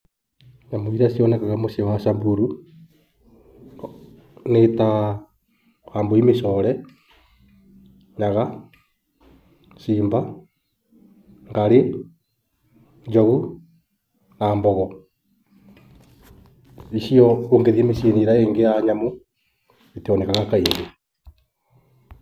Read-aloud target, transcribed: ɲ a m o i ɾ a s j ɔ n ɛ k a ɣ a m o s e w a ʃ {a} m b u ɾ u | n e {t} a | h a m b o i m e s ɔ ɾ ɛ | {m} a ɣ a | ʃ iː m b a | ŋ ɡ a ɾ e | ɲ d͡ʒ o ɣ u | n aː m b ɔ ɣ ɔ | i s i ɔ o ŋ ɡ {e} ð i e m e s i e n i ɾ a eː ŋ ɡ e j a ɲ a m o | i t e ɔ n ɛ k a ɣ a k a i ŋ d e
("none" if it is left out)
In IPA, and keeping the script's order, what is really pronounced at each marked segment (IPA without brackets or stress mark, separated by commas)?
a, t, ɲ, e